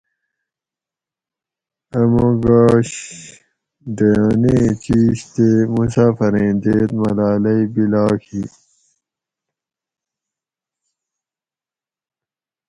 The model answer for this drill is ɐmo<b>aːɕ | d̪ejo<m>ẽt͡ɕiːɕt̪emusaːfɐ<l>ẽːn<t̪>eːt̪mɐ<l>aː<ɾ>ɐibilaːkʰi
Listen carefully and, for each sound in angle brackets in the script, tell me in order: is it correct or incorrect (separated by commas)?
incorrect, incorrect, incorrect, incorrect, correct, incorrect